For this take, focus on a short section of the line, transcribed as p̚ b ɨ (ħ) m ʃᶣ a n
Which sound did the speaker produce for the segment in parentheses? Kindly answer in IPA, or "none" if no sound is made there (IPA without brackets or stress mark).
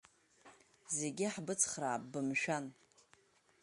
none